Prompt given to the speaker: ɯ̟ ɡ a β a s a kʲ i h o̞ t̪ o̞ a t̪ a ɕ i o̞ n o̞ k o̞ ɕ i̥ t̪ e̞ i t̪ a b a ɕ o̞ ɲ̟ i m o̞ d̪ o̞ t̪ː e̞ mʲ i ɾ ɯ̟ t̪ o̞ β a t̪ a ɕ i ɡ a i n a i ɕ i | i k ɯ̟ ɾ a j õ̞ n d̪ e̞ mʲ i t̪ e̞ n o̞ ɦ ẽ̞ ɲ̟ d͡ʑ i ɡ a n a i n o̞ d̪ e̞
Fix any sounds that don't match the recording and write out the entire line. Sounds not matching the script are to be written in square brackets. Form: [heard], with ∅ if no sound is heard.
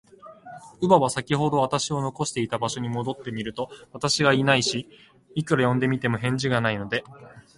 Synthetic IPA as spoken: ɯ̟ [b] a β a s a kʲ i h o̞ [d̪] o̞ a t̪ a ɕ i o̞ n o̞ k o̞ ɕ i̥ t̪ e̞ i t̪ a b a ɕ o̞ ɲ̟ i m o̞ d̪ o̞ t̪ː e̞ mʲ i ɾ ɯ̟ t̪ o̞ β a t̪ a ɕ i ɡ a i n a i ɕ i | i k ɯ̟ ɾ a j õ̞ n d̪ e̞ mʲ i t̪ e̞ [m] o̞ ɦ ẽ̞ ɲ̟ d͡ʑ i ɡ a n a i n o̞ d̪ e̞

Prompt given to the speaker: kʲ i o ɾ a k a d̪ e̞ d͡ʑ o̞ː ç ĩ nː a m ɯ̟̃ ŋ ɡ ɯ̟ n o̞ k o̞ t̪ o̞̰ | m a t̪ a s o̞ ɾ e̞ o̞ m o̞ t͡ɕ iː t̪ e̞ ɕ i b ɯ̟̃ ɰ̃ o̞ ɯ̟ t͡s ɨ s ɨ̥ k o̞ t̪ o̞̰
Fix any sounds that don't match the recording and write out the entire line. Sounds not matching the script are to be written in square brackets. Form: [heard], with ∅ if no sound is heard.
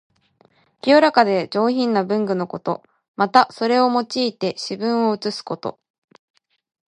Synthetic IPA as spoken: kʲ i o ɾ a k a d̪ e̞ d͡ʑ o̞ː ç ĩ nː a [b] ɯ̟̃ ŋ ɡ ɯ̟ n o̞ k o̞ t̪ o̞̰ | m a t̪ a s o̞ ɾ e̞ o̞ m o̞ t͡ɕ iː t̪ e̞ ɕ i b ɯ̟̃ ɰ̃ o̞ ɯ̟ t͡s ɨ s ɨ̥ k o̞ t̪ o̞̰

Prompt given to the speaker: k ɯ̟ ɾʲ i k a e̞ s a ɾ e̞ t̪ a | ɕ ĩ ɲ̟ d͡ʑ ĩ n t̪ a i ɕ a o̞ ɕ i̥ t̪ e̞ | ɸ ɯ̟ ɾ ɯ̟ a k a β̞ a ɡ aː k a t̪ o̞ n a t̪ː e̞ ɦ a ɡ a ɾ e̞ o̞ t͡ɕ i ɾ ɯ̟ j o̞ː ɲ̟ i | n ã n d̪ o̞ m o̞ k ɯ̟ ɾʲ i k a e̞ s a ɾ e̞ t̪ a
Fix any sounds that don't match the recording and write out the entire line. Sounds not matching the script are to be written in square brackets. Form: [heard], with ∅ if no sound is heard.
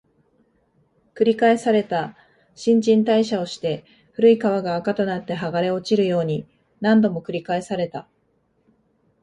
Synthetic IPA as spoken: k ɯ̟ ɾʲ i k a e̞ s a ɾ e̞ t̪ a | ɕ ĩ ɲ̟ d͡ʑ ĩ n t̪ a i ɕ a o̞ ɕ i̥ t̪ e̞ | ɸ ɯ̟ ɾ ɯ̟ [i] k a β̞ a ɡ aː k a t̪ o̞ n a t̪ː e̞ ɦ a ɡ a ɾ e̞ o̞ t͡ɕ i ɾ ɯ̟ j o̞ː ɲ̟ i | n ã n d̪ o̞ m o̞ k ɯ̟ ɾʲ i k a e̞ s a ɾ e̞ t̪ a

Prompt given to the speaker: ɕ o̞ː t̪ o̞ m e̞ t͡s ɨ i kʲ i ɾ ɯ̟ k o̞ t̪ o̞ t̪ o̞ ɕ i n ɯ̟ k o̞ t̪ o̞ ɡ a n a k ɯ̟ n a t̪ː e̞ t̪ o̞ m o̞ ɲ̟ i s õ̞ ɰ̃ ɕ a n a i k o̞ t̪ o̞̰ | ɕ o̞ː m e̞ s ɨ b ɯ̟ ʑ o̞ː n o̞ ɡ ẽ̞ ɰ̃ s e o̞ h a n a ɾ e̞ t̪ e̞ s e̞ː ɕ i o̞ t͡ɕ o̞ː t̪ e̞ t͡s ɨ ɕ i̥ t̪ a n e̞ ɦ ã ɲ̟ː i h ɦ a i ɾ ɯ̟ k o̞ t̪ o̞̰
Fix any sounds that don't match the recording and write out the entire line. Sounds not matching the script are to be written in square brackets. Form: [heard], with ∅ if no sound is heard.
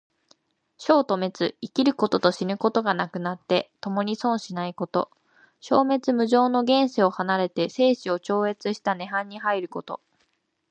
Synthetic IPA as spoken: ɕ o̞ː t̪ o̞ m e̞ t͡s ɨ i kʲ i ɾ ɯ̟ k o̞ t̪ o̞ t̪ o̞ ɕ i n ɯ̟ k o̞ t̪ o̞ ɡ a n a k ɯ̟ n a t̪ː e̞ t̪ o̞ m o̞ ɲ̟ i s õ̞ ɰ̃ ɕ [i] n a i k o̞ t̪ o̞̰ | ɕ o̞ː m e̞ [t͡s] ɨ [m] ɯ̟ ʑ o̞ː n o̞ ɡ ẽ̞ ɰ̃ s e o̞ h a n a ɾ e̞ t̪ e̞ s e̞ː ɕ i o̞ t͡ɕ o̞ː [∅] e̞ t͡s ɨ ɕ i̥ t̪ a n e̞ ɦ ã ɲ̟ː i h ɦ a i ɾ ɯ̟ k o̞ t̪ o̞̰

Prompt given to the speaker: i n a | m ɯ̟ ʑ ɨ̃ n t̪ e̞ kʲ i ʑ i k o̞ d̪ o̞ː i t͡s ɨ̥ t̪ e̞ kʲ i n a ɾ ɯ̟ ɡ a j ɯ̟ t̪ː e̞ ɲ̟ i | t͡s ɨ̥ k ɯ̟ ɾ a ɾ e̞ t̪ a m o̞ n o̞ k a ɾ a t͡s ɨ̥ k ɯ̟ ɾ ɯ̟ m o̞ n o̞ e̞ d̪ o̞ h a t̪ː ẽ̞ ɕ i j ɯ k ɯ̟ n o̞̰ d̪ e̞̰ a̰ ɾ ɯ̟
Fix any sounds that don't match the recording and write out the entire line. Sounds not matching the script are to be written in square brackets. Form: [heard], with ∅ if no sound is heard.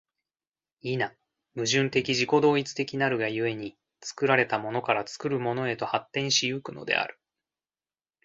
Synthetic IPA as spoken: i n a | m ɯ̟ ʑ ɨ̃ n t̪ e̞ kʲ i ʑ i k o̞ d̪ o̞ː i t͡s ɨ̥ t̪ e̞ kʲ i n a ɾ ɯ̟ ɡ a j ɯ̟ [∅] e̞ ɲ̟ i | t͡s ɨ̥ k ɯ̟ ɾ a ɾ e̞ t̪ a m o̞ n o̞ k a ɾ a t͡s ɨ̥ k ɯ̟ ɾ ɯ̟ m o̞ n o̞ e̞ [t̪] o̞ h a t̪ː ẽ̞ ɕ i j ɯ k ɯ̟ n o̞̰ d̪ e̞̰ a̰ ɾ ɯ̟

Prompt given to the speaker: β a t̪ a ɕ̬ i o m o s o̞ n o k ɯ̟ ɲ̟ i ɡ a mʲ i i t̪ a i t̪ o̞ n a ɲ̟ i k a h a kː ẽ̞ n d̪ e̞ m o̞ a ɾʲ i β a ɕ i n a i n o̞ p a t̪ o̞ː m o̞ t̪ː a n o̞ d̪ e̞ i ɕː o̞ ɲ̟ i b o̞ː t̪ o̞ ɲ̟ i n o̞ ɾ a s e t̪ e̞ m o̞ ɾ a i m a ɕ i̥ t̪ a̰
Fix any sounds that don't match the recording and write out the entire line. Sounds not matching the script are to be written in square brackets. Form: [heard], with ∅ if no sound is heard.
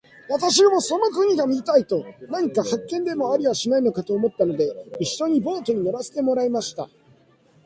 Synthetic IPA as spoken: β a t̪ a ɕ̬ i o m o s o̞ n o k ɯ̟ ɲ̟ i ɡ a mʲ i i t̪ a i t̪ o̞ n a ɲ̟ i k a h a kː ẽ̞ n d̪ e̞ m o̞ a ɾʲ i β a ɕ i n a i n o̞ [k] a t̪ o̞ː m o̞ t̪ː a n o̞ d̪ e̞ i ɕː o̞ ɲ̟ i b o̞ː t̪ o̞ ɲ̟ i n o̞ ɾ a s e t̪ e̞ m o̞ ɾ a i m a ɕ i̥ t̪ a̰

